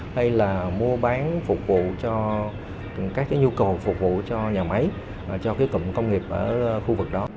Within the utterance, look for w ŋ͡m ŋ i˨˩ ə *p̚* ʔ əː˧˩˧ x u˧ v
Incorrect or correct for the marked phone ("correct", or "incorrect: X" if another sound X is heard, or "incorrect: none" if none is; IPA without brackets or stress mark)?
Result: correct